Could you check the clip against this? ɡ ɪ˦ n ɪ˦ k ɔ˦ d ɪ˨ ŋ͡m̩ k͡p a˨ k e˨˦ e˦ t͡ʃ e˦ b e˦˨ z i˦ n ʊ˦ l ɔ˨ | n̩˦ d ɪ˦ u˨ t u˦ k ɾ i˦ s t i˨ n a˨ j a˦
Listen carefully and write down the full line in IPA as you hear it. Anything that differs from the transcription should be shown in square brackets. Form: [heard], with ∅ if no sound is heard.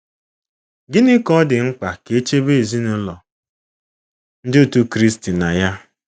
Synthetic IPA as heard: ɡ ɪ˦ n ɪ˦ k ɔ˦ d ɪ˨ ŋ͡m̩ k͡p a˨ k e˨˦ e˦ t͡ʃ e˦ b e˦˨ z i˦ n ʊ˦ l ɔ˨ | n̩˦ d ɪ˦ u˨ t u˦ k ɾ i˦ s t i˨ n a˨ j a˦